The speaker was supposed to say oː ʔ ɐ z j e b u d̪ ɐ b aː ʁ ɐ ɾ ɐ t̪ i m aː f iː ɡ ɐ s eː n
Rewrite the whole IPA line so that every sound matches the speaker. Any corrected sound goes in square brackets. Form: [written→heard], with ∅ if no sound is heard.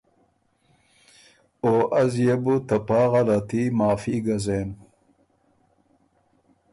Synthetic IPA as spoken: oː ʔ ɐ z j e b u [d̪→t̪] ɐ [b→p] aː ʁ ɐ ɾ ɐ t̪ i m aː f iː ɡ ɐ [s→z] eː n